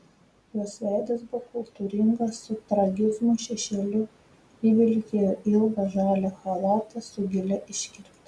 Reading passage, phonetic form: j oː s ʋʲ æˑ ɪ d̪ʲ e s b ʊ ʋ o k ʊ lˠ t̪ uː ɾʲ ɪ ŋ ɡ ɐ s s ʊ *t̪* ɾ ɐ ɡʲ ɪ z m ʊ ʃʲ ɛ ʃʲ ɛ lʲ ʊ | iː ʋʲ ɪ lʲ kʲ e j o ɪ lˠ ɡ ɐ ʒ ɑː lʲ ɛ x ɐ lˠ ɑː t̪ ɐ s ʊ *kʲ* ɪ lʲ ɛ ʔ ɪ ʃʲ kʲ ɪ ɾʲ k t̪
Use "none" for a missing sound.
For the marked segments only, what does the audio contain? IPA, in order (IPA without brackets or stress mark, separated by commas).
t̪, ɡʲ